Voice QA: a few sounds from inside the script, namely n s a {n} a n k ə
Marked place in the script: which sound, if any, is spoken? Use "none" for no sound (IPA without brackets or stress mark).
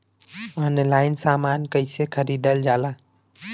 m